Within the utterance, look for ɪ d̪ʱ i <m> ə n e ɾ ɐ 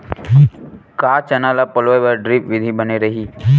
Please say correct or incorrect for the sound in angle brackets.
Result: incorrect